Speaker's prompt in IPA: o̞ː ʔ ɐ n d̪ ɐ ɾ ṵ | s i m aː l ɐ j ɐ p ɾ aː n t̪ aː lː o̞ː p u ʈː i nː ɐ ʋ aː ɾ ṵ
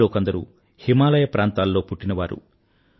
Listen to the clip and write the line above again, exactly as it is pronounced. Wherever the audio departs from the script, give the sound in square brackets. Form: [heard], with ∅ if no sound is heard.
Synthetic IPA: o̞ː [k] ɐ n d̪ ɐ ɾ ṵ | [h] i m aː l ɐ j ɐ p ɾ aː n t̪ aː lː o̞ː p u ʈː i [n] ɐ ʋ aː ɾ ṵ